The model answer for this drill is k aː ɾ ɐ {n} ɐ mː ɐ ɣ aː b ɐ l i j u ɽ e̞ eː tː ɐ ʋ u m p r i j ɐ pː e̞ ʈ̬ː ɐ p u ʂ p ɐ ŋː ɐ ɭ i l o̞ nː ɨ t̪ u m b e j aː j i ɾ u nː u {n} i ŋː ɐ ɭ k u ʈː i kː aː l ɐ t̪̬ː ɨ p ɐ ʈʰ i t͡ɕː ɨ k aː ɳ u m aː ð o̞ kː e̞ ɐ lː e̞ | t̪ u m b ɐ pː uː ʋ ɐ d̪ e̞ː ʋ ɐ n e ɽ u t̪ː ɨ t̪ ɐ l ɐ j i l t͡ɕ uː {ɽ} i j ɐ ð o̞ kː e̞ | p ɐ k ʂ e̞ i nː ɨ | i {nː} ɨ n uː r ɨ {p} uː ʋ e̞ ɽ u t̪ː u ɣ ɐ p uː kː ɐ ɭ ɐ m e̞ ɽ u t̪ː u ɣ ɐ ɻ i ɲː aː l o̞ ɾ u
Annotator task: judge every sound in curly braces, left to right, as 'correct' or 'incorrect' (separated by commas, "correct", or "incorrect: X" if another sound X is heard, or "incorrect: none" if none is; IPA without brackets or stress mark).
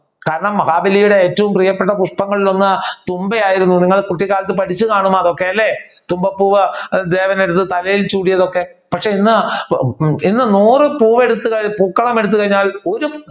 incorrect: ɳ, correct, correct, correct, correct